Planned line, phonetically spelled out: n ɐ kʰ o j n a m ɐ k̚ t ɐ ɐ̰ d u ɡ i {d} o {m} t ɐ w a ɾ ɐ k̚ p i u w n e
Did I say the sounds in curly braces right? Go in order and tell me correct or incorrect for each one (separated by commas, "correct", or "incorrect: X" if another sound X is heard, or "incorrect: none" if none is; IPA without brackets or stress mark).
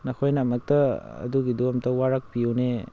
correct, correct